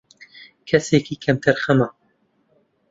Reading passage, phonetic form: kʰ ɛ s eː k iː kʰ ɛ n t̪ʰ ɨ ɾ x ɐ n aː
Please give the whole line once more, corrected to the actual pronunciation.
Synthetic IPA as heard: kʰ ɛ s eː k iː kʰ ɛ m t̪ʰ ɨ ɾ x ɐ m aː